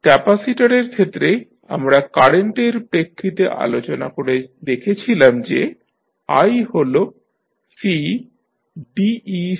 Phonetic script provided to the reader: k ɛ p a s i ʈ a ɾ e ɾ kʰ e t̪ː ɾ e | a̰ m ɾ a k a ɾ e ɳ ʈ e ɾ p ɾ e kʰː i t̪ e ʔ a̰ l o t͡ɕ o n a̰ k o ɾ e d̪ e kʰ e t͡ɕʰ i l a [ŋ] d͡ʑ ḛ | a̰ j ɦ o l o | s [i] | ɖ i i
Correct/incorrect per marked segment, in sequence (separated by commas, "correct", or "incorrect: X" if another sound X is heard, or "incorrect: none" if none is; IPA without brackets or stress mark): incorrect: m, correct